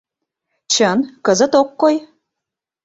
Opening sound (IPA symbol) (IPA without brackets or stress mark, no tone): t͡ɕ